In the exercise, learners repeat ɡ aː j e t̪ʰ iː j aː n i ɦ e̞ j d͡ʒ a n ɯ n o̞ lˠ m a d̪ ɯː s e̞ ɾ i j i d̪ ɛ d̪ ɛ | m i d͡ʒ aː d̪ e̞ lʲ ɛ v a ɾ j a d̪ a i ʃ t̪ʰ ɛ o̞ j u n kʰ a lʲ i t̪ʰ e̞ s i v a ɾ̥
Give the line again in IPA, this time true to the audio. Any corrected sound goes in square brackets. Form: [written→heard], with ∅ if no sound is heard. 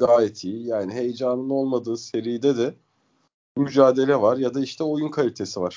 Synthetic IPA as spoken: ɡ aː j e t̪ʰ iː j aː n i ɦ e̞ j d͡ʒ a n ɯ n o̞ lˠ m a d̪ ɯː s e̞ ɾ i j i d̪ ɛ d̪ ɛ | m [i→y] d͡ʒ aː d̪ e̞ lʲ ɛ v a ɾ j a d̪ a i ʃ t̪ʰ ɛ o̞ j u n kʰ a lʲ i t̪ʰ e̞ s i v a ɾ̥